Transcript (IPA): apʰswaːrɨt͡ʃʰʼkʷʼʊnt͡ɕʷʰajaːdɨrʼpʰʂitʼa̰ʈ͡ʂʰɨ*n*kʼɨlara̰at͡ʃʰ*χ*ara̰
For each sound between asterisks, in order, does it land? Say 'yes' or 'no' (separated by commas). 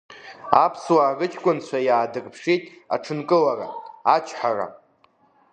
yes, no